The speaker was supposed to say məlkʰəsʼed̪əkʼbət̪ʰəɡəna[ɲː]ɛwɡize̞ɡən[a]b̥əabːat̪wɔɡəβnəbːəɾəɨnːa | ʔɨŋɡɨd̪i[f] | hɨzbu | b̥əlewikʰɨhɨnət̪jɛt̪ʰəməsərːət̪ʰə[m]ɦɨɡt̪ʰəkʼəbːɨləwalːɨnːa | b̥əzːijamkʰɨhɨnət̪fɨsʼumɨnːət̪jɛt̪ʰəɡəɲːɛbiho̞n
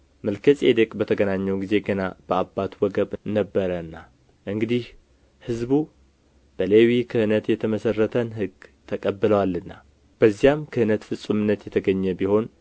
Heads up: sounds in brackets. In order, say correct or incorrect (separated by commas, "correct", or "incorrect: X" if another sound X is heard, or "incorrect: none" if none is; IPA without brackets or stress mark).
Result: correct, correct, incorrect: h, incorrect: n